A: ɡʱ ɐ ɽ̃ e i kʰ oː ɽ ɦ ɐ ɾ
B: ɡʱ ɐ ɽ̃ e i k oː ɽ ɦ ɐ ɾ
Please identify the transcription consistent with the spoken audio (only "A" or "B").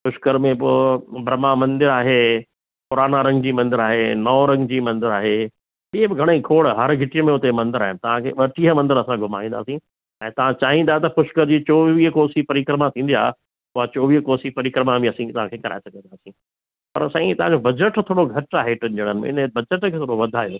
A